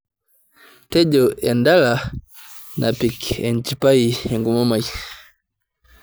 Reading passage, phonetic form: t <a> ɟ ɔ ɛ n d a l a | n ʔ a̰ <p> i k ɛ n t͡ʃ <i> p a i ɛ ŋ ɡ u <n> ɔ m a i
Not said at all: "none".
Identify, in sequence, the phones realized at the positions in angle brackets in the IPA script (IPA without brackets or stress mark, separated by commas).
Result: ɛ, p, i, m